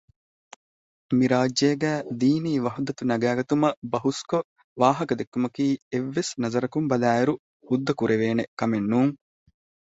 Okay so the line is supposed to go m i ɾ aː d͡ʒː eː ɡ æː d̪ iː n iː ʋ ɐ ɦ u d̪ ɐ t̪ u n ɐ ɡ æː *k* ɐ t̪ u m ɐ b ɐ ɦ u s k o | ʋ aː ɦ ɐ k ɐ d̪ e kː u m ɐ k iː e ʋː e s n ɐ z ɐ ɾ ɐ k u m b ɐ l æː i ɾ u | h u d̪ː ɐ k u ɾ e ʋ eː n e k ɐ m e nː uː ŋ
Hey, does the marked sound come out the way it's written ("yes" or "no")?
no